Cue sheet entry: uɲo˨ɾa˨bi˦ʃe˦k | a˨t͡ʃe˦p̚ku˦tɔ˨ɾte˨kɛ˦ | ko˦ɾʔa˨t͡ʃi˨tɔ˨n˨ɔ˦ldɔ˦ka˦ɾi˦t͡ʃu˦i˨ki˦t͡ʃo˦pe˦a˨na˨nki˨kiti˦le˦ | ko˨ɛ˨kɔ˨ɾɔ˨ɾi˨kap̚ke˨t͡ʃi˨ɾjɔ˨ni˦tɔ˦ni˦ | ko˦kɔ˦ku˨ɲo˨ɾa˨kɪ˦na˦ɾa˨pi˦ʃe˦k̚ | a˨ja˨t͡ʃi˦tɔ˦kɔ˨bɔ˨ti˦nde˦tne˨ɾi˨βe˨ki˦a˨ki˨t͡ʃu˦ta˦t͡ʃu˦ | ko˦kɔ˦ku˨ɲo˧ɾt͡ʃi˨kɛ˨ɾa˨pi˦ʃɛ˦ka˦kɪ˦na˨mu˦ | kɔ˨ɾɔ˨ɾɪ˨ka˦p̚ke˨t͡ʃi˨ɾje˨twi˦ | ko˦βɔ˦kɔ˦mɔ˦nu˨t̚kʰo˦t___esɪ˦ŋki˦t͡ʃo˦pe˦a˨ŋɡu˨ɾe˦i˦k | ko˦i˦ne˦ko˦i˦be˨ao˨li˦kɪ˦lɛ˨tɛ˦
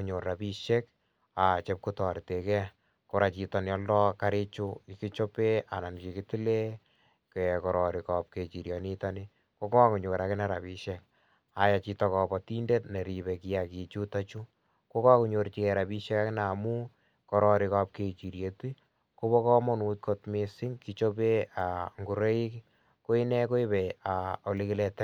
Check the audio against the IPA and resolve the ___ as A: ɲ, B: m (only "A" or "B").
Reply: B